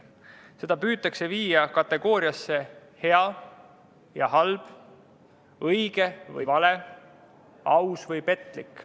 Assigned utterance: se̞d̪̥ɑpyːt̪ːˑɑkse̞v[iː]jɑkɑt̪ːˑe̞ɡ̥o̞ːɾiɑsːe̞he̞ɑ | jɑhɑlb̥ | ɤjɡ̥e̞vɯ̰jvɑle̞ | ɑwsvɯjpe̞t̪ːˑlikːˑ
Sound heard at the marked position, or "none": iː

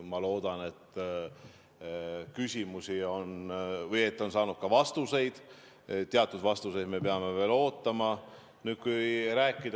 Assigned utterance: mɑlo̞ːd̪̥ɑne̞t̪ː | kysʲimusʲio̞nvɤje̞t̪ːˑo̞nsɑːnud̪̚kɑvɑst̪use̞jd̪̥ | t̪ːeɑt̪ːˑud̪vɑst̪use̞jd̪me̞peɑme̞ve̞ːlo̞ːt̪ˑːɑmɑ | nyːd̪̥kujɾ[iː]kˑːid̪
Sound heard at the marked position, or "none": æː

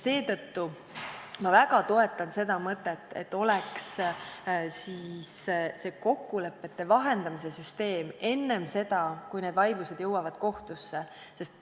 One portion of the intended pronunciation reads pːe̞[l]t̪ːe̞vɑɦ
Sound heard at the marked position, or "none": none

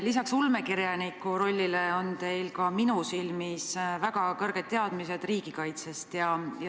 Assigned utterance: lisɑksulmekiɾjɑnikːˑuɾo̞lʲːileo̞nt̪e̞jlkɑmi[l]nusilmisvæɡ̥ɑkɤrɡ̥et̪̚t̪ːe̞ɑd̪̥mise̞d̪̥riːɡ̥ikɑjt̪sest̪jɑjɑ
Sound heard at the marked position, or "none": none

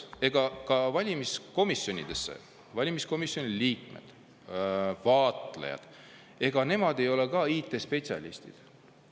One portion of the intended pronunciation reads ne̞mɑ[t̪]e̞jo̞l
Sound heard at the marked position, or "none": d̪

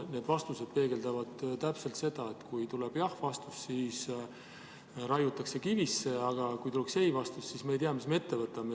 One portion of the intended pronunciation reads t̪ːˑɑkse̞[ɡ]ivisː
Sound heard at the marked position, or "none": k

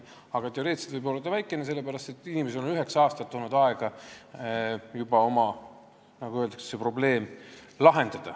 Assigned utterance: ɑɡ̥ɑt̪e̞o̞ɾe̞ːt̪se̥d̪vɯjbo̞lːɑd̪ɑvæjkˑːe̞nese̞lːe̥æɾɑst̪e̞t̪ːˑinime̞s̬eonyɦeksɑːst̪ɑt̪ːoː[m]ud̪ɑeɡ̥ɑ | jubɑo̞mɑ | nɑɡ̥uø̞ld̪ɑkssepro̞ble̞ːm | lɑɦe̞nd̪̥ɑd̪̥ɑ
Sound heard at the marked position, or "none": n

